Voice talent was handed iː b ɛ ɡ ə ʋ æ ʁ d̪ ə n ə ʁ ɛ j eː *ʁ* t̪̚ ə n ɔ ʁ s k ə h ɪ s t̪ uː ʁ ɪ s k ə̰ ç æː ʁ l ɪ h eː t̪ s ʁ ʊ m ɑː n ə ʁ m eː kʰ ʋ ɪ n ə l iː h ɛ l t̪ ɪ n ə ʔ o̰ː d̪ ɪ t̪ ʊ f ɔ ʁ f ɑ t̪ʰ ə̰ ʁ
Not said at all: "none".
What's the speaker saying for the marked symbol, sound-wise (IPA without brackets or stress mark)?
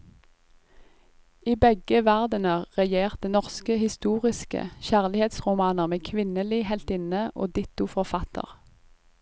ʁ